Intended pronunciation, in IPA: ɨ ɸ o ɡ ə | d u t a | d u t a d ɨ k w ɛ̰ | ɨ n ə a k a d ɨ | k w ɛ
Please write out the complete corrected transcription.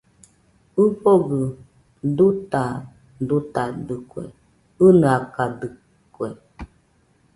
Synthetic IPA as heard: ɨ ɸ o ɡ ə | d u t a | d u t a d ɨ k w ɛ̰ | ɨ n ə a k a d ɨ | k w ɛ